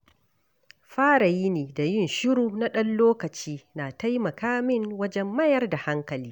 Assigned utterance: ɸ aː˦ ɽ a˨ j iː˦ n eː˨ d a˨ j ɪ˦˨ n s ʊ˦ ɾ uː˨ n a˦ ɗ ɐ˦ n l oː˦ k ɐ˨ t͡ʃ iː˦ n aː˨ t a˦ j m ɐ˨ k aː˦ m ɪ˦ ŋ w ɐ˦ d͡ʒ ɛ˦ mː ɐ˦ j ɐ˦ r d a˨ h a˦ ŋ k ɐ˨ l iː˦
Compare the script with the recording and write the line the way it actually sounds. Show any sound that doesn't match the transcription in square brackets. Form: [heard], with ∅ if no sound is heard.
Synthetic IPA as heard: ɸ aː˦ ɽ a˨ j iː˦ n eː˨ d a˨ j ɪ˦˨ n [ʃ] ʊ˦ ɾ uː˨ n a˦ ɗ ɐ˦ n l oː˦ k ɐ˨ t͡ʃ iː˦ n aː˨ t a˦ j m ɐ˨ k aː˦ m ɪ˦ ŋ w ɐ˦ d͡ʒ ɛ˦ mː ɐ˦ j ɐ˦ r d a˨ h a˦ ŋ k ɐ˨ l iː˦